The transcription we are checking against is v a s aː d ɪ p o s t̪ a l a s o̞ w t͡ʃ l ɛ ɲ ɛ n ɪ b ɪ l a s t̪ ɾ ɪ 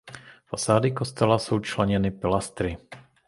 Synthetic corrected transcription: f a s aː d ɪ k o s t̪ ɛ l a s o̞ w t͡ʃ l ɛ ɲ ɛ n ɪ p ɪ l a s t̪ ɾ ɪ